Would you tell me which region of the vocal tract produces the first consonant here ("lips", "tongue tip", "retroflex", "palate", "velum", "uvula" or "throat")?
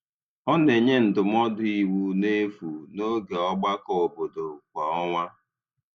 tongue tip